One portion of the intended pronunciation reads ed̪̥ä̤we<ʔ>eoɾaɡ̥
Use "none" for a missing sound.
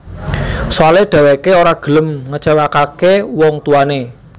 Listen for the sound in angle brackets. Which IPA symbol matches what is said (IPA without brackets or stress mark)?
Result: k